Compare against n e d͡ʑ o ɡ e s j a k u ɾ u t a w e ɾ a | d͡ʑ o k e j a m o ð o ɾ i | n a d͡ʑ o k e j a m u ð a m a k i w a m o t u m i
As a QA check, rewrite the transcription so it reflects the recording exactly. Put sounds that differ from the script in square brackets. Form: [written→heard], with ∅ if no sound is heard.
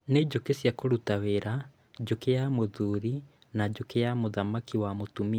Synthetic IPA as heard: n e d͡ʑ o [ɡ→k] e s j a k [u→o] ɾ u t a w e ɾ a | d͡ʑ o k e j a m o ð [o→u] ɾ i | n a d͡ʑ o k e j a m [u→o] ð a m a k i w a m o t u m i